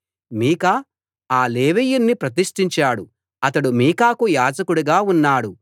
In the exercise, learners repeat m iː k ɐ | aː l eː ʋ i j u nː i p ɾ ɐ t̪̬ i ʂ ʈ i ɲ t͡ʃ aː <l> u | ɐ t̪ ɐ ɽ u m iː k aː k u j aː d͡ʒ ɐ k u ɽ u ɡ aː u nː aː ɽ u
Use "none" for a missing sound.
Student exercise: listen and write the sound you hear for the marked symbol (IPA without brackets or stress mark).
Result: ɽ